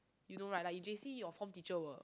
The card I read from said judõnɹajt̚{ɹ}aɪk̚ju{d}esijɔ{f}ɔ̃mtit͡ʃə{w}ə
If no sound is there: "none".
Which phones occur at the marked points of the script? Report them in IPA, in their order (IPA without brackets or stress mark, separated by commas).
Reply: l, d͡ʒ, f, w